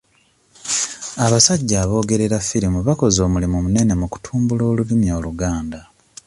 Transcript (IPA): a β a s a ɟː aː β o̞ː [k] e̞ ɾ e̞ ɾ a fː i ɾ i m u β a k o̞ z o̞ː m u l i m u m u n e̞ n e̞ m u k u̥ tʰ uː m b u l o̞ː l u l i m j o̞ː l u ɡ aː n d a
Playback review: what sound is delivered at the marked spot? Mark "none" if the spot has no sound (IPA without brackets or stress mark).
ɡ